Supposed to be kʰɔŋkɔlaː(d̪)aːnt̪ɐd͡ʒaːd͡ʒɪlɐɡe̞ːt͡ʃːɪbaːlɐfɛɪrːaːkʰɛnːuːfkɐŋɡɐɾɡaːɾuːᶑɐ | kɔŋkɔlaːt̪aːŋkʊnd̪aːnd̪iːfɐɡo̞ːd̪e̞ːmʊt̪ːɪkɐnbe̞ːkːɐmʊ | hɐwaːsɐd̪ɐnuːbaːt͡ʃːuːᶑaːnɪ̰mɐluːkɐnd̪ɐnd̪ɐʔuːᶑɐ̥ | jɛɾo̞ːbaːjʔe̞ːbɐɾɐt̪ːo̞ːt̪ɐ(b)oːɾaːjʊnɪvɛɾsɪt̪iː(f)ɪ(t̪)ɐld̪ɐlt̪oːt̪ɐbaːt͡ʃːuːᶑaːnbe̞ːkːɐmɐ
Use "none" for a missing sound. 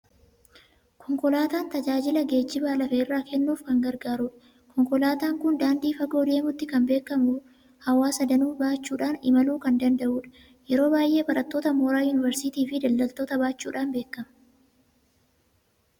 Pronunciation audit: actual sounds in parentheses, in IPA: t̪, m, f, d̪

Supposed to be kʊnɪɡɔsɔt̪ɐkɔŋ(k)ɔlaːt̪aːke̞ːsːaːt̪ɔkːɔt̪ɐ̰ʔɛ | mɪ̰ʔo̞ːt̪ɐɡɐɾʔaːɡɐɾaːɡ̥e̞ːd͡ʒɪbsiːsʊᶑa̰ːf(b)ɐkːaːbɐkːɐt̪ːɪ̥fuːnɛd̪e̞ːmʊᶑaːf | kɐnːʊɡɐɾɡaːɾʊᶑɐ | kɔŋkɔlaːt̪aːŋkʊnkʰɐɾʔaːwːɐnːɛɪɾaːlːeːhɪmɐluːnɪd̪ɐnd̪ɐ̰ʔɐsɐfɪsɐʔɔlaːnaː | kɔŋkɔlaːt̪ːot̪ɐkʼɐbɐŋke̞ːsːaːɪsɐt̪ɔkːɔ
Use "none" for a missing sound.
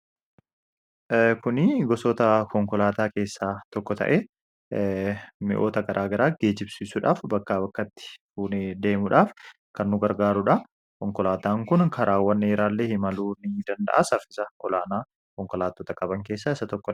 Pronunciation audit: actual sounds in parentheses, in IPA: k, b

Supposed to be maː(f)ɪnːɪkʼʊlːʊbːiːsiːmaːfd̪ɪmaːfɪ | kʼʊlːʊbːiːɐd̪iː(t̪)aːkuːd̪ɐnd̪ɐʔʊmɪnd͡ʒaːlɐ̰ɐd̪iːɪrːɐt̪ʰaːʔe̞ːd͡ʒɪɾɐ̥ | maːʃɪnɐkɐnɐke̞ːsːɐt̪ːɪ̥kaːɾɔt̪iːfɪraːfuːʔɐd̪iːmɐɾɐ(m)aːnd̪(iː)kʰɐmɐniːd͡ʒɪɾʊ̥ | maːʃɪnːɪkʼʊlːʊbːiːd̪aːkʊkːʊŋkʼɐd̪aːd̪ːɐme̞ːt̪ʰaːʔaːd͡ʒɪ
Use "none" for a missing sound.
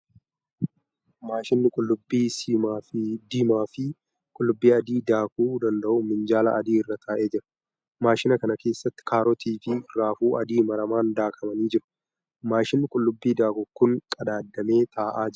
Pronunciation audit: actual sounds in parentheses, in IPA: ʃ, d̪, m, aː

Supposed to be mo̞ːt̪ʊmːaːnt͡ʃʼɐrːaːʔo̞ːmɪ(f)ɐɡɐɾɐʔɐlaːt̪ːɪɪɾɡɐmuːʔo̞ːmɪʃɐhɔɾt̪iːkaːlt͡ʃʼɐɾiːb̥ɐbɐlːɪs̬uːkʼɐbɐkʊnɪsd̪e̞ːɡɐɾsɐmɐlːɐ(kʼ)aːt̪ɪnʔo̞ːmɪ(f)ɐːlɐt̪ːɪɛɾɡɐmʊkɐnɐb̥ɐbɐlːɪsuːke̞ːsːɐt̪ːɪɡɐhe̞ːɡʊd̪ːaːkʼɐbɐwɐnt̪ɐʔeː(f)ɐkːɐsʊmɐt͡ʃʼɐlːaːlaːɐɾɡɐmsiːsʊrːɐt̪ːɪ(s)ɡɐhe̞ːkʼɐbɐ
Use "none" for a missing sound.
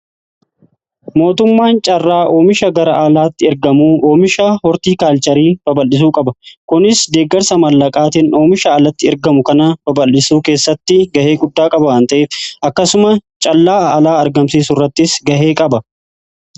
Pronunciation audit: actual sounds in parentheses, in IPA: ʃ, kʼ, ʃ, f, s

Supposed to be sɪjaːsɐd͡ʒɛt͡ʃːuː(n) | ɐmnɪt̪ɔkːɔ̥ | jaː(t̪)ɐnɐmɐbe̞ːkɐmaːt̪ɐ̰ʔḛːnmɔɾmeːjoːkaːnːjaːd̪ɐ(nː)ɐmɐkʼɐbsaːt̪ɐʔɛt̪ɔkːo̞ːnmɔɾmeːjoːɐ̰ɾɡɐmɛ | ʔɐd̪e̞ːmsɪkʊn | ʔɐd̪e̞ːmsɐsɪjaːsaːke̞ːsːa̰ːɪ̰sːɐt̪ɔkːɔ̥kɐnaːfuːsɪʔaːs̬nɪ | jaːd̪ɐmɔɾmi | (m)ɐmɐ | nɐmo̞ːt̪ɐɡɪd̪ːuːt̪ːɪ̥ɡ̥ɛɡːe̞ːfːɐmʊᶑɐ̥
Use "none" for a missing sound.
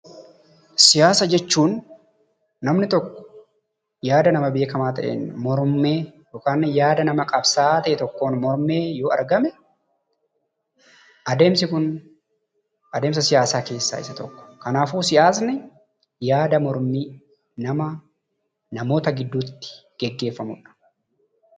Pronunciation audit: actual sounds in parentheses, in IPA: nː, d̪, n, n

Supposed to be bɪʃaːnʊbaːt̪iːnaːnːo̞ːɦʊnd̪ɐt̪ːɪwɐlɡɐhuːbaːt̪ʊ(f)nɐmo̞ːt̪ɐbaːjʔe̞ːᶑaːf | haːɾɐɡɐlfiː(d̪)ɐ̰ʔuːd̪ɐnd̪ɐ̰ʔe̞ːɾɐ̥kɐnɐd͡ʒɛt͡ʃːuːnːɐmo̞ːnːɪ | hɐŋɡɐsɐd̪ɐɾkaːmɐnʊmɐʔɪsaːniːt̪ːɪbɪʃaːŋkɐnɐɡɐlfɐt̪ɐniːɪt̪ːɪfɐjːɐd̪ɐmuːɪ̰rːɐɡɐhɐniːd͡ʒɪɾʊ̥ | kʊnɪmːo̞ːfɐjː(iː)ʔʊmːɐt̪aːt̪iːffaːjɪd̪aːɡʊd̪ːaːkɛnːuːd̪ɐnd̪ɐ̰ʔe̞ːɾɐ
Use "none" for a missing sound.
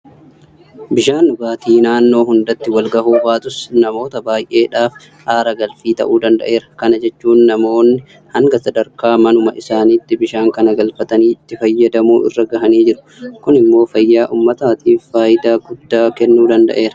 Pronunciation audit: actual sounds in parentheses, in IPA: s, t̪, aː

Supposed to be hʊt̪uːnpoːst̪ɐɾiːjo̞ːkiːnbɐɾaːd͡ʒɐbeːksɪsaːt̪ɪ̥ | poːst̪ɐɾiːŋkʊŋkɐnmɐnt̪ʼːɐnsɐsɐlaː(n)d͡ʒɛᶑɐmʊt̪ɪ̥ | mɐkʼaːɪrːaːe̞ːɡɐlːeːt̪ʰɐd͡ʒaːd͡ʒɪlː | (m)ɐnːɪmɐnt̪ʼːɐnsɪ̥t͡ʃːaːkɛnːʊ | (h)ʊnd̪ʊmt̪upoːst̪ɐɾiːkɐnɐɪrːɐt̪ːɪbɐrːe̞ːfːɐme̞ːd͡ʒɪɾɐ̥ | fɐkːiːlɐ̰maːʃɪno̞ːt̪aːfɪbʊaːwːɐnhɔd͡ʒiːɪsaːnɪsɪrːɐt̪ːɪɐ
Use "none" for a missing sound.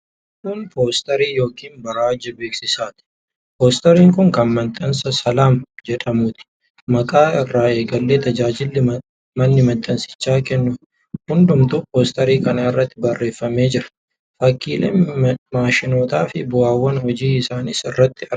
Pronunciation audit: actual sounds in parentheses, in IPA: m, m, h

